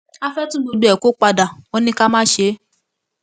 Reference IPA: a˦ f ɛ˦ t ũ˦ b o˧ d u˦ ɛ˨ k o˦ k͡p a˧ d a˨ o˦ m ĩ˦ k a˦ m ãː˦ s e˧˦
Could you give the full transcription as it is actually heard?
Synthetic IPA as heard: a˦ f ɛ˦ t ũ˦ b o˧ d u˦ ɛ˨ k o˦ k͡p a˧ d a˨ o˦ n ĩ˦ k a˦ m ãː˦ ʃ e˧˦